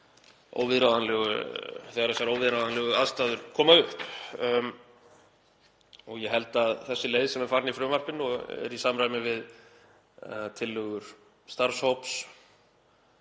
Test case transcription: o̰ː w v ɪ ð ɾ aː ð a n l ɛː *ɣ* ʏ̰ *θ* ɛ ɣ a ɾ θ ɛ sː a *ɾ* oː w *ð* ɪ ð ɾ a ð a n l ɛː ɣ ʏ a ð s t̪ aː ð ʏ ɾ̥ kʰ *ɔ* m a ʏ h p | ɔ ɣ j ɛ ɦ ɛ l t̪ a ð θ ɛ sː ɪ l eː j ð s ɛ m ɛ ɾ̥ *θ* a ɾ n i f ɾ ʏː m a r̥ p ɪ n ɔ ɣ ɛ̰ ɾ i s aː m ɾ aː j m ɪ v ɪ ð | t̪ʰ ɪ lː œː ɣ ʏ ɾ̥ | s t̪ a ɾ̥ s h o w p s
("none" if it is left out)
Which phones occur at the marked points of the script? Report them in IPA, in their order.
ɣ, θ, ɾ, v, ɔː, f

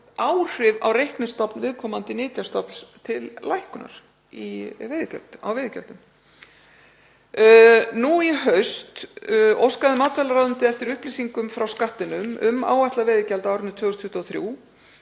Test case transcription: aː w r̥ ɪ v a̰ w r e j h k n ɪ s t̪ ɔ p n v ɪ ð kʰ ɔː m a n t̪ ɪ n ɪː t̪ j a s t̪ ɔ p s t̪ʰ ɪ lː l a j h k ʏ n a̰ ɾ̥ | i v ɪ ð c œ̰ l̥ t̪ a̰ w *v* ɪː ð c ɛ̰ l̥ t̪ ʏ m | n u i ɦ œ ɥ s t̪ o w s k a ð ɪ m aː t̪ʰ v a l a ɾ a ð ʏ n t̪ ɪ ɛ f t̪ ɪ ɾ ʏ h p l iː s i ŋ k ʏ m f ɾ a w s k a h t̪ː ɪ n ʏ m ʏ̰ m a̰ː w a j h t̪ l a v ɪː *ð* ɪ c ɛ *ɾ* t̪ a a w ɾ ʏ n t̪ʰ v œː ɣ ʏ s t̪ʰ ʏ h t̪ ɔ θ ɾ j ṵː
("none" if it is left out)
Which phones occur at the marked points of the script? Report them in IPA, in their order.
v, ð, l

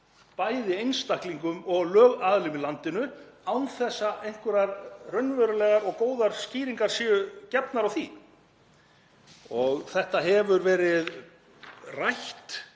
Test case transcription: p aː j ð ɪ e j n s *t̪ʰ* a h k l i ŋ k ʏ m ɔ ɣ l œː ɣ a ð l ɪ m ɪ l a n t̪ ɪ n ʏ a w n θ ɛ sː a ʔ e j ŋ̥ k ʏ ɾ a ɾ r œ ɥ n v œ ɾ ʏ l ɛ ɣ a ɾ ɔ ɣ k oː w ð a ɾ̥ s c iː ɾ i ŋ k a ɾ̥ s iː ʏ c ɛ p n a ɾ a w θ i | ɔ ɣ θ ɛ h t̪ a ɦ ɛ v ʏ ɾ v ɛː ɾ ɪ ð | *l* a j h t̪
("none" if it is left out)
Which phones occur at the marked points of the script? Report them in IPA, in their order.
t̪, r

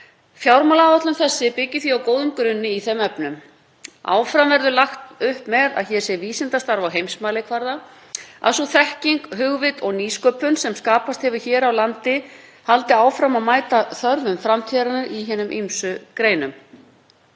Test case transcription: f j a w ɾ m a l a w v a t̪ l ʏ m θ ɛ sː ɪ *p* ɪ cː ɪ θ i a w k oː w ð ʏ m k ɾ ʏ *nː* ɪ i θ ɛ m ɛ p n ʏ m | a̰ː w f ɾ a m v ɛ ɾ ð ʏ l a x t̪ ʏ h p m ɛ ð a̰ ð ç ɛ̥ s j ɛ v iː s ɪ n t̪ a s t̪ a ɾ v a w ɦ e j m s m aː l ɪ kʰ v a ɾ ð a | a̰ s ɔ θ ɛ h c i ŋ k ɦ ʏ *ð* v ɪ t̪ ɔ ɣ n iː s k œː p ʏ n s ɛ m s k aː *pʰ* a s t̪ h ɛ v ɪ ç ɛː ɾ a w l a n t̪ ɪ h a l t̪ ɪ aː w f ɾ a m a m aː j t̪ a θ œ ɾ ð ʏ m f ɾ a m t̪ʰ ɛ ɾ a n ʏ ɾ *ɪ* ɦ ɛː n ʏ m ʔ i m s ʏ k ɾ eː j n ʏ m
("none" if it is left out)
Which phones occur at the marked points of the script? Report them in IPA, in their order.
p, nː, ɣ, p, i

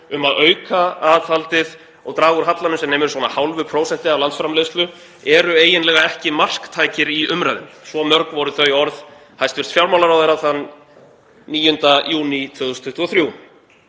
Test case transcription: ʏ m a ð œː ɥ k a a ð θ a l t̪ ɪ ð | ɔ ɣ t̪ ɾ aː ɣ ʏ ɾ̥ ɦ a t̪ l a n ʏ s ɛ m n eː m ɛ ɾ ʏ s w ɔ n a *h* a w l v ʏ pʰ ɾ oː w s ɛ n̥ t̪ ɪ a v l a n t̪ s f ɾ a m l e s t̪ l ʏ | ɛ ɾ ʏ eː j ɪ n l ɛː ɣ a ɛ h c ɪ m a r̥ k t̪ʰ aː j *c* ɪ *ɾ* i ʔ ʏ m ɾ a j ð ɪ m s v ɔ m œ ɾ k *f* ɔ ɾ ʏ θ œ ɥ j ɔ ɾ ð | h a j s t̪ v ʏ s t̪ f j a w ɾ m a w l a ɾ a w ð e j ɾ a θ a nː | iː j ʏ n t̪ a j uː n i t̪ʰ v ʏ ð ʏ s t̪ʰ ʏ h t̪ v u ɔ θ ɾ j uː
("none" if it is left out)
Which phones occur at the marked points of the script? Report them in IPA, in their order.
h, c, ɾ, v

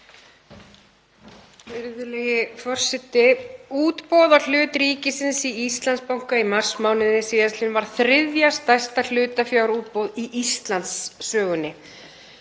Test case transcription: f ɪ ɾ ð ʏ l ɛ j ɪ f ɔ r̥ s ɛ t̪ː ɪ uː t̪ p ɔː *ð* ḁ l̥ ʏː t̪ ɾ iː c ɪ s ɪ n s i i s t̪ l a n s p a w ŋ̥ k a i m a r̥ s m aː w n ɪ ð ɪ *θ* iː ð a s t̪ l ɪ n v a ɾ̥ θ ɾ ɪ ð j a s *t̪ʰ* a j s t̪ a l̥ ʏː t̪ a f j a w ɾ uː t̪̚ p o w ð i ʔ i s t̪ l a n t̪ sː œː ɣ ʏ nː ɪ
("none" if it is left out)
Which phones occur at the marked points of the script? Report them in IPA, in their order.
ð, s, t̪

